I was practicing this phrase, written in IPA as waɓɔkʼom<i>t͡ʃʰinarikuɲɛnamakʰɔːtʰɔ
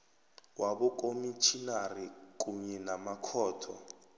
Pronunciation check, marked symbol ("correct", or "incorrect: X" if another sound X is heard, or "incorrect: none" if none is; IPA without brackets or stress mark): correct